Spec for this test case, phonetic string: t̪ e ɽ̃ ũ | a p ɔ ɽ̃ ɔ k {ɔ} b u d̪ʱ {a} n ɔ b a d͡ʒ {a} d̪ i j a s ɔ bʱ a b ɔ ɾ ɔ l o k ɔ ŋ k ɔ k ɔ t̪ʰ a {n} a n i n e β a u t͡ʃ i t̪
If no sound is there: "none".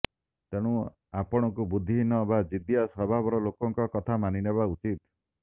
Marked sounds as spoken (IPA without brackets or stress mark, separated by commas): u, i, i, m